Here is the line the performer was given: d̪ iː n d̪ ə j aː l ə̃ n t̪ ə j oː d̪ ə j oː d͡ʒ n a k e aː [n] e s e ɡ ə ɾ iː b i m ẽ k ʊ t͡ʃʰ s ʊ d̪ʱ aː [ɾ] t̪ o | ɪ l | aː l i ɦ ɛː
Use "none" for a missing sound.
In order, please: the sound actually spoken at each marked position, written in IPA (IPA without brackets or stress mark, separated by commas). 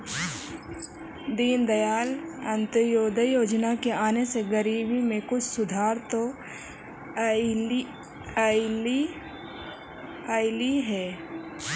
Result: n, ɾ